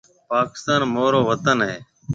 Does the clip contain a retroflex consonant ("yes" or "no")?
no